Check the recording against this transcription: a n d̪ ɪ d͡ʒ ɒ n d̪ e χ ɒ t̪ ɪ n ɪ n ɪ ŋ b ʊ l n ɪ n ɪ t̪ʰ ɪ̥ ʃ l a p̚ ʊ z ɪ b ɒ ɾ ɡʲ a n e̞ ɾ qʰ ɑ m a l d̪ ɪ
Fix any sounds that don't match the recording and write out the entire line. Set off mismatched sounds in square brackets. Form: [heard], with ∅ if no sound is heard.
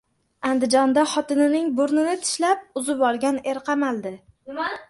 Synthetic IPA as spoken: a n d̪ ɪ d͡ʒ ɒ n d̪ [a] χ ɒ t̪ ɪ n ɪ n ɪ ŋ b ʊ [ɾ] n ɪ n ɪ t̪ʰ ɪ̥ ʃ l a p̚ ʊ z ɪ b ɒ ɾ ɡʲ a n e̞ ɾ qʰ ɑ m a l d̪ ɪ